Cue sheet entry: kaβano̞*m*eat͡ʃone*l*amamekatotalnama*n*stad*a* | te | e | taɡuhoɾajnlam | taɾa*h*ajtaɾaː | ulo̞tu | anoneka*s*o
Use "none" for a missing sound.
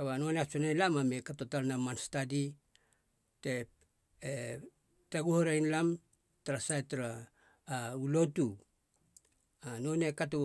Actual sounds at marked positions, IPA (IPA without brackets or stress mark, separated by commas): n, l, n, i, s, t